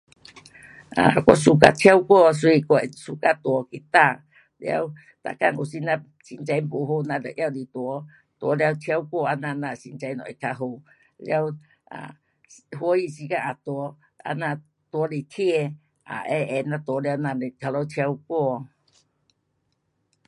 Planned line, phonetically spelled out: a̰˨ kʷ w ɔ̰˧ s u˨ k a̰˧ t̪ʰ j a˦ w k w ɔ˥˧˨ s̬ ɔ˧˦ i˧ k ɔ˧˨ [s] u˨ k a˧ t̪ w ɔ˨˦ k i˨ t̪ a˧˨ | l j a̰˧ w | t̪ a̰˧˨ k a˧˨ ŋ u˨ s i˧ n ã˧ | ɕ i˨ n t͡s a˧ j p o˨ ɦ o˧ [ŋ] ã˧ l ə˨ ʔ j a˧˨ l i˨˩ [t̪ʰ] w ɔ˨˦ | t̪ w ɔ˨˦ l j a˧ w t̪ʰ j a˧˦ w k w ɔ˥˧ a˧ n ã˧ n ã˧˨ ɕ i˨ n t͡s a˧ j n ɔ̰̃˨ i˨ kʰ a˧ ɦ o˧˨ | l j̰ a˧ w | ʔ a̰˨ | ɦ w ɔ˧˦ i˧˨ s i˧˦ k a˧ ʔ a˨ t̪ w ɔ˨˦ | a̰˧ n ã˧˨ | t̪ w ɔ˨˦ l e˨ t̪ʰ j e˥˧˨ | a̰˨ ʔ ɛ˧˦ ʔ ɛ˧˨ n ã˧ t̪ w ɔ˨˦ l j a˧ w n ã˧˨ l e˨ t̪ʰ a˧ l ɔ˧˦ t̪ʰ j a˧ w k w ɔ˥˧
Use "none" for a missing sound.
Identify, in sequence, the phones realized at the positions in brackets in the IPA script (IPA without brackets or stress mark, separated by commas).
s, n, t̪